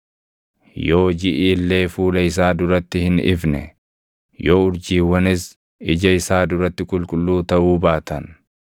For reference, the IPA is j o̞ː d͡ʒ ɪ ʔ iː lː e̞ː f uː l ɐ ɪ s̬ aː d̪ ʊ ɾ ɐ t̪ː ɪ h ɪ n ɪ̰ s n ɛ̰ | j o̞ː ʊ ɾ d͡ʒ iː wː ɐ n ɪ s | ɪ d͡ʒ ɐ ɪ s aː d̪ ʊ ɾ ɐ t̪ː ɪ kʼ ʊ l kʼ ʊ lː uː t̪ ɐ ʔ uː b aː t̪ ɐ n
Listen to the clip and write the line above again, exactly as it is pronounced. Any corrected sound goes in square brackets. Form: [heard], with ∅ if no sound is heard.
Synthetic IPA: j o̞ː d͡ʒ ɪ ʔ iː lː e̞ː f uː l ɐ ɪ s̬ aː d̪ ʊ ɾ ɐ t̪ː ɪ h ɪ n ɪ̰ [f] n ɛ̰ | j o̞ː ʊ ɾ d͡ʒ iː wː ɐ n ɪ s | ɪ d͡ʒ ɐ ɪ s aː d̪ ʊ ɾ ɐ t̪ː ɪ kʼ ʊ l kʼ ʊ lː uː t̪ ɐ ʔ uː b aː t̪ ɐ n